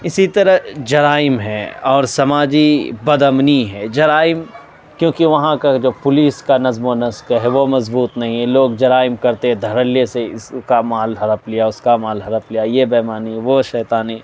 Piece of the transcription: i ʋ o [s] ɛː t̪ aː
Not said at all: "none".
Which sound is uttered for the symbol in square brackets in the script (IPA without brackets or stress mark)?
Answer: ʃ